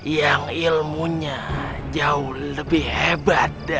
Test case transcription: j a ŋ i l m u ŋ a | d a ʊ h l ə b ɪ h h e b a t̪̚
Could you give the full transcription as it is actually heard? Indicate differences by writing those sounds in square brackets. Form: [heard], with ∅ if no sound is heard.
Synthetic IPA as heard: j a ŋ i l m u [ɲ] a | [d͡ʒ] a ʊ h l ə b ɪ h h e b a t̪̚